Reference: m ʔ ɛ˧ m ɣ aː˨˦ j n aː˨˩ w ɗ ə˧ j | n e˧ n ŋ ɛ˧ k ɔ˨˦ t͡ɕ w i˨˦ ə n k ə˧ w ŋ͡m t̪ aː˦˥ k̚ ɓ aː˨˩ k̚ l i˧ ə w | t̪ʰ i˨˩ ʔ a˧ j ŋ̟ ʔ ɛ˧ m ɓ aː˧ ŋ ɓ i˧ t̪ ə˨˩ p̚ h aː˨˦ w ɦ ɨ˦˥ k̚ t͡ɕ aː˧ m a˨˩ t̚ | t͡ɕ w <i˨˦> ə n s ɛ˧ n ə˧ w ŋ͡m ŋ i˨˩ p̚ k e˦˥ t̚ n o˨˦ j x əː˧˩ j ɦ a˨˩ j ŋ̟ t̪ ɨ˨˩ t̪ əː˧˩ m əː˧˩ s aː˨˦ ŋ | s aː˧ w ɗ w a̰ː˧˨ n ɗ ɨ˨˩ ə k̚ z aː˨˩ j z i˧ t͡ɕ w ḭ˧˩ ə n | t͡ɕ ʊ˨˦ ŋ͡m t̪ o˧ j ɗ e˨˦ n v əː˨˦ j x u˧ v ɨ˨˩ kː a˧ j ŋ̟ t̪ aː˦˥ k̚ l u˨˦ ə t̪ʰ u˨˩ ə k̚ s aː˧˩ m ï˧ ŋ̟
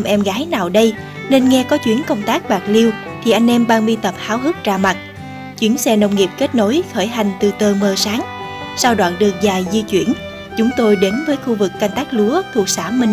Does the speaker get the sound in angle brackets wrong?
no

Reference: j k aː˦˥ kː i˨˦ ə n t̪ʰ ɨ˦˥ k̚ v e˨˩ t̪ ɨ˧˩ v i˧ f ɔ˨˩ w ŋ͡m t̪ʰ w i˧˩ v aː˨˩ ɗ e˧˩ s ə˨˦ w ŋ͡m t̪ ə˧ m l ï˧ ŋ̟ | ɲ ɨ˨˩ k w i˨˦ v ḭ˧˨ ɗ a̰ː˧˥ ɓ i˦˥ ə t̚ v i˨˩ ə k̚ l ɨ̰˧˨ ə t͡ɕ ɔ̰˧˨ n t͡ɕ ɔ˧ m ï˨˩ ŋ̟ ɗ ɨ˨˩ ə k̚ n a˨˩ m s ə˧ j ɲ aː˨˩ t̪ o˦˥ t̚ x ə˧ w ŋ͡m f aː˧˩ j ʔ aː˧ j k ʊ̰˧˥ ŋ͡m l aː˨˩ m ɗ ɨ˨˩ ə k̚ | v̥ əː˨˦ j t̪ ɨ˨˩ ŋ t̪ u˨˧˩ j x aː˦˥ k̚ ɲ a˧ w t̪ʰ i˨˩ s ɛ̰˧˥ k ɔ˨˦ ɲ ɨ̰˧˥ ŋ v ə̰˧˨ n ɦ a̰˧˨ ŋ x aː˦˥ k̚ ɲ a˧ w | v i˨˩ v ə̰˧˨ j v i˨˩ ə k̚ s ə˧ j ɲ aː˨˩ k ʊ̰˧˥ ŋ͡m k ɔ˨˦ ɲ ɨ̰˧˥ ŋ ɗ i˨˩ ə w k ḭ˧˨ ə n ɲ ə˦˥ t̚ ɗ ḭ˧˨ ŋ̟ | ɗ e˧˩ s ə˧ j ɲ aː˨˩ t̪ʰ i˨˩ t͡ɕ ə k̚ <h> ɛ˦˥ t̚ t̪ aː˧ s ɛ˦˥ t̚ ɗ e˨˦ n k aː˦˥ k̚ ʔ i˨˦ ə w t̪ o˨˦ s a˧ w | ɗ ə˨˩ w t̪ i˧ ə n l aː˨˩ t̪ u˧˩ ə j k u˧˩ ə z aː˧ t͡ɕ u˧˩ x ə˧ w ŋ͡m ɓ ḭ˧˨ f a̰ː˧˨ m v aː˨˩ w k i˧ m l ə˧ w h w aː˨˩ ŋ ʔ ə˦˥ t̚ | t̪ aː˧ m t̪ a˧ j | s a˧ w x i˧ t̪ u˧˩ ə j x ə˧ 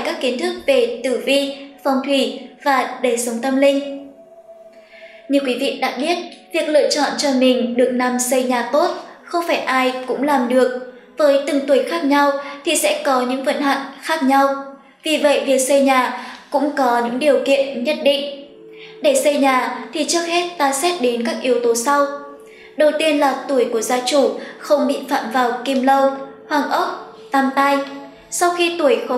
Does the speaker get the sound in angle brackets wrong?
no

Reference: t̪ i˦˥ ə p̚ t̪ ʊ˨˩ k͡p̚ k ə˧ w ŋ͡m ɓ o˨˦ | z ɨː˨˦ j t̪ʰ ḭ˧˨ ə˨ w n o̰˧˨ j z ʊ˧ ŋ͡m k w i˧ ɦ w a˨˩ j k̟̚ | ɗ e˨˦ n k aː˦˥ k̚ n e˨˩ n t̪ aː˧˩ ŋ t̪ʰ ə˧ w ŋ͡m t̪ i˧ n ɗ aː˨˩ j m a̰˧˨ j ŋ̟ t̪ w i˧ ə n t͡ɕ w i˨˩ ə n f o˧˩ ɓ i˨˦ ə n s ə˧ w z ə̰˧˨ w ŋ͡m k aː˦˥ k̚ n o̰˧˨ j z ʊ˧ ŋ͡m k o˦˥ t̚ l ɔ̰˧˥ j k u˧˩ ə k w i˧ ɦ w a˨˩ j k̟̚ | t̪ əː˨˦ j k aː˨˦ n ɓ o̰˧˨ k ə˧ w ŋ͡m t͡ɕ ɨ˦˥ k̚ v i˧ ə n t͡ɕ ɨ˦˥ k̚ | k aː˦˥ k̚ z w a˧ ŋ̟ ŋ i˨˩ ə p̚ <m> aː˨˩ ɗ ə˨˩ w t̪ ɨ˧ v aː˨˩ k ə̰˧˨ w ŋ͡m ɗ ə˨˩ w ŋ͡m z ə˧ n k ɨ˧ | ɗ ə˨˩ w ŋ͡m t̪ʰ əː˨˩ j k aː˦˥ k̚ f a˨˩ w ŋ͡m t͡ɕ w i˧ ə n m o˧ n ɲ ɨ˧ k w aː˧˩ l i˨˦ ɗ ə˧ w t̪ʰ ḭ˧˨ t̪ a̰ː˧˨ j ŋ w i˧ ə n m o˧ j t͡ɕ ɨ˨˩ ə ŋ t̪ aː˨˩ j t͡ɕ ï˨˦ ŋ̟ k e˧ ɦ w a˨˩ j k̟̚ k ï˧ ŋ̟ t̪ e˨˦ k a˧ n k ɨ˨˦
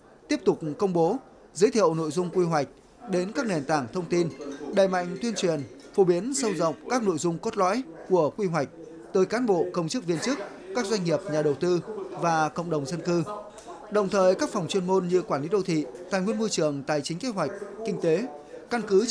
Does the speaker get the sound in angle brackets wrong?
yes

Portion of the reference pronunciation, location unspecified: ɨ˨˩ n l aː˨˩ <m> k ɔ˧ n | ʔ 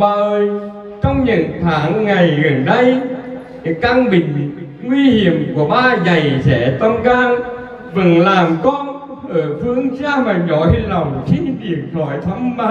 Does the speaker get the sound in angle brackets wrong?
no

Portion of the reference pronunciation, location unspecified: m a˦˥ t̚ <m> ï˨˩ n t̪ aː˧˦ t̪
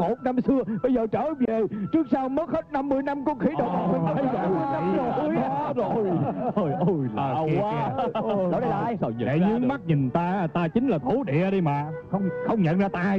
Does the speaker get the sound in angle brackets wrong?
yes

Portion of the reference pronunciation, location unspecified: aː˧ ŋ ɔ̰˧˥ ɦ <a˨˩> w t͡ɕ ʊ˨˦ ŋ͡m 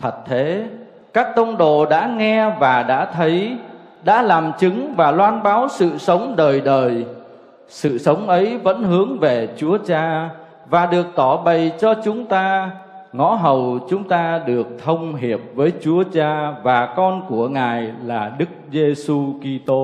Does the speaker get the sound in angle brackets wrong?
yes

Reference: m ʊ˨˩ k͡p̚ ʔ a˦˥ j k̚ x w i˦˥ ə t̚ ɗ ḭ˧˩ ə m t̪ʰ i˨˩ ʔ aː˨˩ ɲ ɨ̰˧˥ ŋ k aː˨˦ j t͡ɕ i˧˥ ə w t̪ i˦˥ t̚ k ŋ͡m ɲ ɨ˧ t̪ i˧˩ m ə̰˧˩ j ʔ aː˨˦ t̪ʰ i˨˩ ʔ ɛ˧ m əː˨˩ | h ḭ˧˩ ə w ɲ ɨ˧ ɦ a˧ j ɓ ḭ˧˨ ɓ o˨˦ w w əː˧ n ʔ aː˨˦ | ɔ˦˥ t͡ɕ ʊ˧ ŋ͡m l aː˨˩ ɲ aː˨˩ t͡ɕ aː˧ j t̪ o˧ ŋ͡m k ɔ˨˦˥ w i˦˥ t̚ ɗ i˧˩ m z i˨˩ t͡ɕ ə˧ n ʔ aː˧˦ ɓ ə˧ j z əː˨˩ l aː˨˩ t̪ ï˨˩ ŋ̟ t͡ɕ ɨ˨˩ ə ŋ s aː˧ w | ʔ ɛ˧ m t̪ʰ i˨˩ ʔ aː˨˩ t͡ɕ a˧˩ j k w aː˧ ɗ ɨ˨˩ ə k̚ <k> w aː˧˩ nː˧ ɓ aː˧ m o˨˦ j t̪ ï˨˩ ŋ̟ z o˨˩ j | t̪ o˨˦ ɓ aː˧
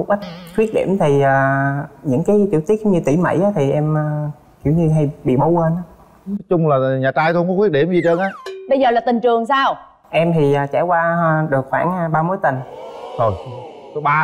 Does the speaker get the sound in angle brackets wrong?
yes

